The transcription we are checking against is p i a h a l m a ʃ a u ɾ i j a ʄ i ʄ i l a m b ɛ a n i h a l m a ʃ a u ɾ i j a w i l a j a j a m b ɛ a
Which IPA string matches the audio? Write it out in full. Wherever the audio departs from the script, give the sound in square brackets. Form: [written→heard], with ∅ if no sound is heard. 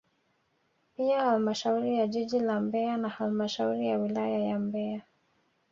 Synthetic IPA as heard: p i a h a l m a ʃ a u ɾ i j a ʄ i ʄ i l a m b ɛ a n [i→a] h a l m a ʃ a u ɾ i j a w i l a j a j a m b ɛ a